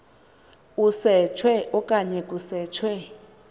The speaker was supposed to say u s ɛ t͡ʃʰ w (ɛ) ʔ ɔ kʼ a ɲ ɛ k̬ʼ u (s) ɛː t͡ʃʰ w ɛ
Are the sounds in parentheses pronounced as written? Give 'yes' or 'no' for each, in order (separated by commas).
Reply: yes, yes